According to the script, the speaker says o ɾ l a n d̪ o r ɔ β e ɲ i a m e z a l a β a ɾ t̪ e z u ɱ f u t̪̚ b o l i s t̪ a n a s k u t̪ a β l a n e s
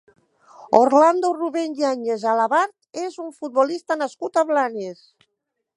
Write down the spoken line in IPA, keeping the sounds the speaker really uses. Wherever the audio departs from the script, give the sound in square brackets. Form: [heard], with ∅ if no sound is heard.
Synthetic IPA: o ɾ l a n d̪ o r [u] β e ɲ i a [ɲ] e z a l a β a ɾ t̪ e z u ɱ f u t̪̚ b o l i s t̪ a n a s k u t̪ a β l a n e s